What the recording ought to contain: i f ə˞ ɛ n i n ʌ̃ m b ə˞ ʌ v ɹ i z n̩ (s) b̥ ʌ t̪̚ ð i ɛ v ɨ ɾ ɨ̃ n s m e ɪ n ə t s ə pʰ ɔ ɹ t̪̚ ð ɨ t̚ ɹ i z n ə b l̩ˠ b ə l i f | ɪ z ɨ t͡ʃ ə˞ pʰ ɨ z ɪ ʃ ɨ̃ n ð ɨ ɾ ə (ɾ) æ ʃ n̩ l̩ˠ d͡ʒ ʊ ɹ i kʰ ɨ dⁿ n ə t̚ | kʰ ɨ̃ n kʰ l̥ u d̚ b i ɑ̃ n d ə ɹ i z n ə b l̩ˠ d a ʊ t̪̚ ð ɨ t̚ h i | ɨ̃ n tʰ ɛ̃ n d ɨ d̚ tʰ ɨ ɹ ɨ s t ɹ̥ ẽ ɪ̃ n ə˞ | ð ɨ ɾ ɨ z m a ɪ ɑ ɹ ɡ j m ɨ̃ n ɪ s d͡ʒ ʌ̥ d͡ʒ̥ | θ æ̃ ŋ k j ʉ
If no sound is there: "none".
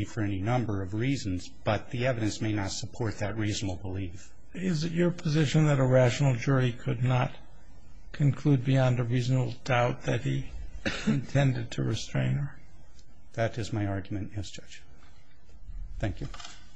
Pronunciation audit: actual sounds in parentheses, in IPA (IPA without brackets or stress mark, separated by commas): z, ɹ